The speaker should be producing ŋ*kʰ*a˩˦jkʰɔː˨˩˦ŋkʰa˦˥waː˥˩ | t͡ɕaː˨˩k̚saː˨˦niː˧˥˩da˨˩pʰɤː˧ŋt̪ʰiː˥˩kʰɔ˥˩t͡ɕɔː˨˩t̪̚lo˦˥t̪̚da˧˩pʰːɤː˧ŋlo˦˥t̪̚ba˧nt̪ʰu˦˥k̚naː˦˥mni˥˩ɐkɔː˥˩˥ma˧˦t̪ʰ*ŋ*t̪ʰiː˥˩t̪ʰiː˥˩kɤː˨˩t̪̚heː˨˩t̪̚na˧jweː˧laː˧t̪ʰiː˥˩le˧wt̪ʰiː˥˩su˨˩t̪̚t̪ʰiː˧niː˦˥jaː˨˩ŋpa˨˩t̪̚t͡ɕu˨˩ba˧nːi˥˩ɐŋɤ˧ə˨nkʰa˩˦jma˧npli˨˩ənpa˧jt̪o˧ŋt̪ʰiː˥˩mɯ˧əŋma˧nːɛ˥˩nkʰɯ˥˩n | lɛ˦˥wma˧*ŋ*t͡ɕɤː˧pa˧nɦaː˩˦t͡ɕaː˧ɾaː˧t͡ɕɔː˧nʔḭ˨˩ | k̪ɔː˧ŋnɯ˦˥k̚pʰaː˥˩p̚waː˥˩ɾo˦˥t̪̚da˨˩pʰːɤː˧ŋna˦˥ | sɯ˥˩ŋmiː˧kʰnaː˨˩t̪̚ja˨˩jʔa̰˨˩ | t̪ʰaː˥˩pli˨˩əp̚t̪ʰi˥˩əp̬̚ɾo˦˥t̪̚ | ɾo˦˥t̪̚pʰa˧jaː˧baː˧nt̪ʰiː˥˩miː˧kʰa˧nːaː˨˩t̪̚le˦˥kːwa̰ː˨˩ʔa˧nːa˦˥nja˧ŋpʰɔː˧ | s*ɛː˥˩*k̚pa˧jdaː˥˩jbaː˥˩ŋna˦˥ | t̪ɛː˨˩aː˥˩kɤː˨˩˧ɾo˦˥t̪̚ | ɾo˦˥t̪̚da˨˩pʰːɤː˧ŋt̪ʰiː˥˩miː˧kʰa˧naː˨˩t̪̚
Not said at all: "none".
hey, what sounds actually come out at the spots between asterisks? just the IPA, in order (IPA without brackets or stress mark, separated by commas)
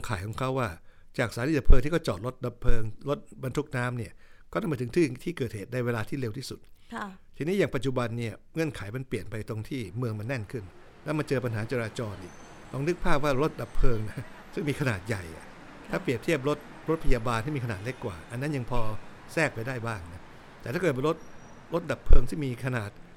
kʰ, ŋ, n, ɛː˥˩